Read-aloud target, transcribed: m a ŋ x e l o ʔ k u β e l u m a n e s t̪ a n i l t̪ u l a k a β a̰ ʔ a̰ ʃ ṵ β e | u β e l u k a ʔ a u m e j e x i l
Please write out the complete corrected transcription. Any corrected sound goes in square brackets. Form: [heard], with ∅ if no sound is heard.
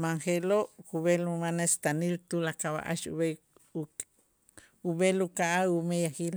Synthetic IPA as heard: m a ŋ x e l o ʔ k u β e l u m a n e s t̪ a n i l t̪ u l a k a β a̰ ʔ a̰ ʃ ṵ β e | u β e l u k a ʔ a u m e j [a] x i l